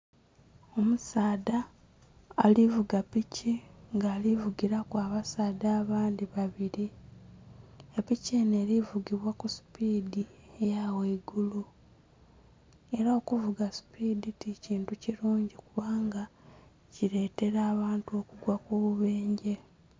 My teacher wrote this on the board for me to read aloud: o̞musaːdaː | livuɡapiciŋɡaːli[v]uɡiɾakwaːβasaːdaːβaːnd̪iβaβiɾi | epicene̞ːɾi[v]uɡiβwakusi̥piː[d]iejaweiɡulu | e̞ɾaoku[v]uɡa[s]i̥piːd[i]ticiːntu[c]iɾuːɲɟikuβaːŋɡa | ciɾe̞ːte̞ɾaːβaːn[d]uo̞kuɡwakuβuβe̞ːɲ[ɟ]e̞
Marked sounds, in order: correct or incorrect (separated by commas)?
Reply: correct, correct, correct, correct, correct, correct, correct, incorrect, correct